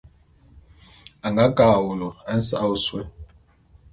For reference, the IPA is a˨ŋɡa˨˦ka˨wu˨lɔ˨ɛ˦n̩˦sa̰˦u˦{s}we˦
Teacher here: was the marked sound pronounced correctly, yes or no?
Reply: yes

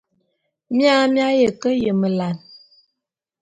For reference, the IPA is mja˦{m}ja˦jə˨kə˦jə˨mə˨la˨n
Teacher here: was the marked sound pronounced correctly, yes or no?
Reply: yes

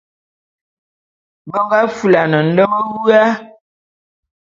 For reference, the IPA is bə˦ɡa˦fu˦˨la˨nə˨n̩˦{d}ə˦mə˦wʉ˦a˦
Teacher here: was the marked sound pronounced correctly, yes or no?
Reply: yes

